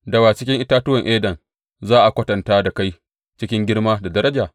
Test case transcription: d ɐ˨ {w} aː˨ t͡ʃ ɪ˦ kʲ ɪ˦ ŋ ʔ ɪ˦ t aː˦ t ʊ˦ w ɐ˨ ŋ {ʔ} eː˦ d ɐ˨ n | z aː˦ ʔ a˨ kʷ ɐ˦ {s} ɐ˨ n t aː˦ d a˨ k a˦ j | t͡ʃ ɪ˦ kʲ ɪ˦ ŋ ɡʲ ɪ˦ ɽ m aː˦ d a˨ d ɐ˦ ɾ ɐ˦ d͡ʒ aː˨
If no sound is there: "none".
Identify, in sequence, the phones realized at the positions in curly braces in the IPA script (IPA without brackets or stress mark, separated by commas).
w, ʔ, t